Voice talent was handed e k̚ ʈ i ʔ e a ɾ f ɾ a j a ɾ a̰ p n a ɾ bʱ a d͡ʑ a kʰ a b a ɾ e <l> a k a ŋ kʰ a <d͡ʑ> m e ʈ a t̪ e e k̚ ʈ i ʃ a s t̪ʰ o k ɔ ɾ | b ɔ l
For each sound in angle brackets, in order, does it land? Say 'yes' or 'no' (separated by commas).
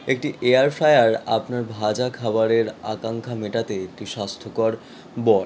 no, no